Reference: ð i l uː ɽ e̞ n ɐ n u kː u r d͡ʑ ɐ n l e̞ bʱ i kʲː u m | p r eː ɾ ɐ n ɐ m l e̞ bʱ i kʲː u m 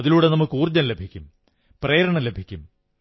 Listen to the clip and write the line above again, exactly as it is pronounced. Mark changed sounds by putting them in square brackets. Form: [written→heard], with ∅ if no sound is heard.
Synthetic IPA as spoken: ð i l uː ɽ e̞ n ɐ [n→m] u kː [u→uː] r d͡ʑ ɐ n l e̞ bʱ i kʲː u m | p r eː ɾ ɐ [n→ɳ] ɐ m l e̞ bʱ i kʲː u m